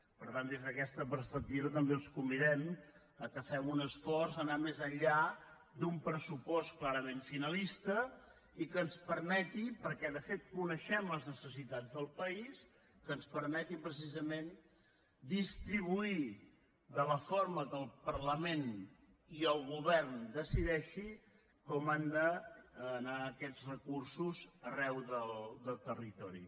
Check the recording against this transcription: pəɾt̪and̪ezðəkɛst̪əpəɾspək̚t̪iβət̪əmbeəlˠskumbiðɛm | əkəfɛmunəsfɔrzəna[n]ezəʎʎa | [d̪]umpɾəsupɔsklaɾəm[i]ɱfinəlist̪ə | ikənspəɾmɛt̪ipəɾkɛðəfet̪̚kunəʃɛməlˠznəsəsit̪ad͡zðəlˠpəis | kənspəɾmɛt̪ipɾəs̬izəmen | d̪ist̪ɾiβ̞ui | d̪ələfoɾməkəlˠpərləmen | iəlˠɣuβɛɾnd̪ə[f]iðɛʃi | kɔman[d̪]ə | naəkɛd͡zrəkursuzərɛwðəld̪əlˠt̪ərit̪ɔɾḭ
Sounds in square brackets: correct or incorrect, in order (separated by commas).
incorrect, correct, incorrect, incorrect, correct